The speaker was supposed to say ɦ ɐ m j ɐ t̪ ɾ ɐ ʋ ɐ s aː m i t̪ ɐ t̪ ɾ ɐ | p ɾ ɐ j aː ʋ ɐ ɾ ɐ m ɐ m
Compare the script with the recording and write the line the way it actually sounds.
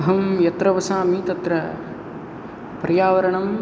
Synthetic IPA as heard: ɦ ɐ m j ɐ t̪ ɾ ɐ ʋ ɐ s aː m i t̪ ɐ t̪ ɾ ɐ | p ɾ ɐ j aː ʋ ɐ ɾ ɐ ɳ ɐ m